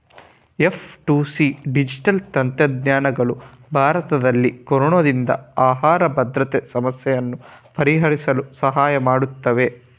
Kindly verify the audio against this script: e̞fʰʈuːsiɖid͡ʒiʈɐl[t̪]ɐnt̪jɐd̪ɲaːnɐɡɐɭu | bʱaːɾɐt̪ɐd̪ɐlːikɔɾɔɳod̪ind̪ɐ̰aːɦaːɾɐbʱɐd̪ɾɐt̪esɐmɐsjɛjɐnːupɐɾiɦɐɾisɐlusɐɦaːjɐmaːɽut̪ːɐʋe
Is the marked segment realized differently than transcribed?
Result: no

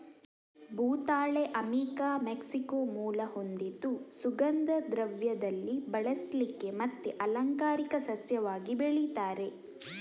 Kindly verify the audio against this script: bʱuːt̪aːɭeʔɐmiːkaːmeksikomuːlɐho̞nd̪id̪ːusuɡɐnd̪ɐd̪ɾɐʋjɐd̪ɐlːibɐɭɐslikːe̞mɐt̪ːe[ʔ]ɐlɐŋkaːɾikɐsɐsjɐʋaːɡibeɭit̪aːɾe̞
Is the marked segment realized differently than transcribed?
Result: no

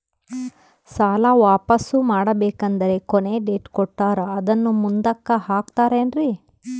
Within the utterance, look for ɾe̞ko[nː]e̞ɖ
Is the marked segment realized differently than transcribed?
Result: yes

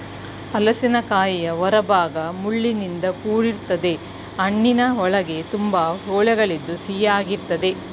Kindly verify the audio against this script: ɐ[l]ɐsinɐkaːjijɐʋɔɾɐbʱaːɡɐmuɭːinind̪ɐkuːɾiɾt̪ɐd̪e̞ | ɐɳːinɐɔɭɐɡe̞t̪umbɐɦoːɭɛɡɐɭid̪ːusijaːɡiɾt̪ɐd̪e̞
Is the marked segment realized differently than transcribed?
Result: no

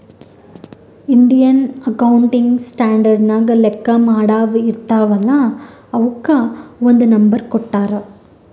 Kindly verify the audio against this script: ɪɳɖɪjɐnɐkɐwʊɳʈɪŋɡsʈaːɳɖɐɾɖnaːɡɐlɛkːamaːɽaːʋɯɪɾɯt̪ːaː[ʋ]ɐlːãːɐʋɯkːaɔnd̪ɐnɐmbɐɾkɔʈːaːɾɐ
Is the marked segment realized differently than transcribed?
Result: no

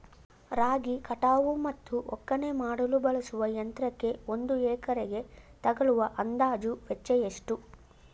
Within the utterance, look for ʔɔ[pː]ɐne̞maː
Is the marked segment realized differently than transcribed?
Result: yes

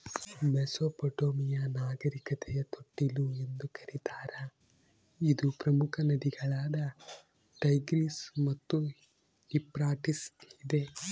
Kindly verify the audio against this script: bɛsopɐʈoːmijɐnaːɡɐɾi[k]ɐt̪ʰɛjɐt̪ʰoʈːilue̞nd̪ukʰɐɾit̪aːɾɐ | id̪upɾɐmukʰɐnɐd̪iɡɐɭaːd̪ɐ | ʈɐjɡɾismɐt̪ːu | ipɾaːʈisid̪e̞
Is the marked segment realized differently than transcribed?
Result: no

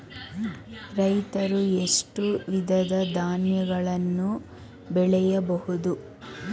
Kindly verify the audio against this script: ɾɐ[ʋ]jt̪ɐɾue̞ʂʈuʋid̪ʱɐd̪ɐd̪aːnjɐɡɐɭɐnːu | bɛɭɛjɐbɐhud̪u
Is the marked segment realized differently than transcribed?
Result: yes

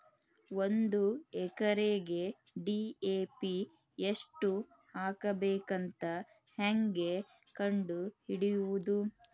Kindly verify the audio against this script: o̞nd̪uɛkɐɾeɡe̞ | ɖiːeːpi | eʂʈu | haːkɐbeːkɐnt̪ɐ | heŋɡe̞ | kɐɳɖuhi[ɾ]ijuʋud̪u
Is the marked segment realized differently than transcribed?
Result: yes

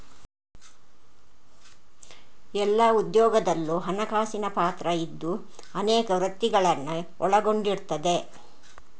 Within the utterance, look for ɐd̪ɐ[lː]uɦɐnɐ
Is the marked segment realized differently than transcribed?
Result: no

